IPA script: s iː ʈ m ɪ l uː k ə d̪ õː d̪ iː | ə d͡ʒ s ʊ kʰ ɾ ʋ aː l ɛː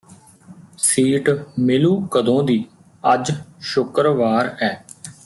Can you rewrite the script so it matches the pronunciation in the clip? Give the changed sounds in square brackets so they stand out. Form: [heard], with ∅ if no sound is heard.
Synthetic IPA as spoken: s iː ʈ m ɪ l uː k ə d̪ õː d̪ iː | ə d͡ʒ [ʃ] ʊ [k] ɾ ʋ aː [ɾ] ɛː